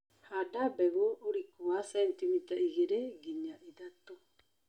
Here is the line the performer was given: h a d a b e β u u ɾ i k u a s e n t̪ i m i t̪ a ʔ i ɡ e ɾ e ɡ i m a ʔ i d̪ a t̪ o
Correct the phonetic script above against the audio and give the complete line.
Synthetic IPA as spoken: h a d a b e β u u ɾ i k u a s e n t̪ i m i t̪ a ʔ i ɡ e ɾ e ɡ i ɲ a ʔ i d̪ a t̪ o